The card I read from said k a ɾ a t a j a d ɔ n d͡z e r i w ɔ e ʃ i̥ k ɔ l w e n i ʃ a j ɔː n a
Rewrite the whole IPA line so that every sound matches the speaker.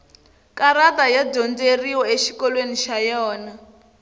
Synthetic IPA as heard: k a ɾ a t a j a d ɔ n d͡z e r i w ɔ e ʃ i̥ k ɔ l w e n i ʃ a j ɔː n a